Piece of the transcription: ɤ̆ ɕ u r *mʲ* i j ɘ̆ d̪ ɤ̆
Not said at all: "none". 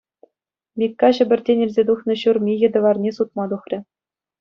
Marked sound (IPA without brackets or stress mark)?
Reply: mʲ